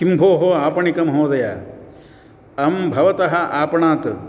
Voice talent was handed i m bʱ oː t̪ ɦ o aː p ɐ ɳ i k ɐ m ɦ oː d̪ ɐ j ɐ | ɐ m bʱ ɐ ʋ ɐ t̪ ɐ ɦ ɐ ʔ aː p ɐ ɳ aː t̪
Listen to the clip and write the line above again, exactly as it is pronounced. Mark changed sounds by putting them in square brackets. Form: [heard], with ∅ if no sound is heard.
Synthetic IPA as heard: i m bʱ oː [∅] ɦ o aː p ɐ ɳ i k ɐ m ɦ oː d̪ ɐ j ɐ | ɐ m bʱ ɐ ʋ ɐ t̪ ɐ ɦ ɐ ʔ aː p ɐ ɳ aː t̪